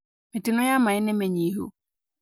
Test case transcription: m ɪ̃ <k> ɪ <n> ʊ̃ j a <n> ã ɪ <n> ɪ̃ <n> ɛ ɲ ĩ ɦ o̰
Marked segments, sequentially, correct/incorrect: incorrect, correct, incorrect, correct, incorrect

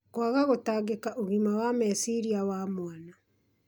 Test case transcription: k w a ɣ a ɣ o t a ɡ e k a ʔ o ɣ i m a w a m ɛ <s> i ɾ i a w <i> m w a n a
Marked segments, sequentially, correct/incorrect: correct, incorrect

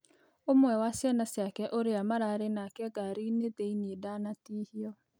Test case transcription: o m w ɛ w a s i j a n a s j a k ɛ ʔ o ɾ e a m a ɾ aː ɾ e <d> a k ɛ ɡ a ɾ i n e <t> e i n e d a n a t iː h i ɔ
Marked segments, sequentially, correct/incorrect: incorrect, correct

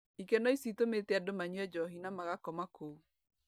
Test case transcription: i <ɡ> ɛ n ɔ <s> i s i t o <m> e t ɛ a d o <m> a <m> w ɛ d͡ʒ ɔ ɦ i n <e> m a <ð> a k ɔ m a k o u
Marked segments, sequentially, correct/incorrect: incorrect, incorrect, correct, correct, incorrect, incorrect, incorrect

